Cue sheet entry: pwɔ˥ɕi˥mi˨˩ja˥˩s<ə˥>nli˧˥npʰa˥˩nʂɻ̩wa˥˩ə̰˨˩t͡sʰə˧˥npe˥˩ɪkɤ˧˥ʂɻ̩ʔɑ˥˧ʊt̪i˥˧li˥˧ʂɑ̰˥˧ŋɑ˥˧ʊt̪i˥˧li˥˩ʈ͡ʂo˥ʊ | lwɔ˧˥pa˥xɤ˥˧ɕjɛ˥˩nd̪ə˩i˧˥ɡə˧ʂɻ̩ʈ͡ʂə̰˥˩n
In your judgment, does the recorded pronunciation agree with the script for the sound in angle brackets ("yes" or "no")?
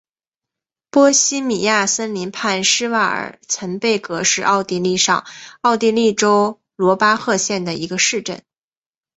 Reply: yes